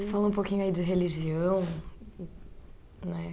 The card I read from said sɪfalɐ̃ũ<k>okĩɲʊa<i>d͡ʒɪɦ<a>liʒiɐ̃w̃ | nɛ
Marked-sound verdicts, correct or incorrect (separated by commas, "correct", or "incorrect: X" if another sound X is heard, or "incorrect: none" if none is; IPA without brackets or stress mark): incorrect: p, correct, incorrect: e